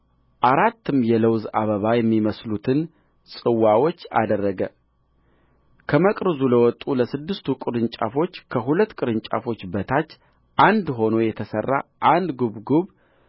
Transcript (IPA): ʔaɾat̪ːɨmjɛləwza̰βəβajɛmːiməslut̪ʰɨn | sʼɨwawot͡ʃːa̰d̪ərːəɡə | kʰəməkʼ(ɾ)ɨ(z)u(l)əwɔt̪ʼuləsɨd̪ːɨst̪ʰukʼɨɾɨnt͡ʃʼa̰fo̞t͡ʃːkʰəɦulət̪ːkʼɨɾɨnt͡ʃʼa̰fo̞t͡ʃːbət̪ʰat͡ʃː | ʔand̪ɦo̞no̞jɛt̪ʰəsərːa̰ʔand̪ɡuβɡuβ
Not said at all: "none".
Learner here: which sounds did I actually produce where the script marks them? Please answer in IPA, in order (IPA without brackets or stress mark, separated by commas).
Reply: ɾ, z, l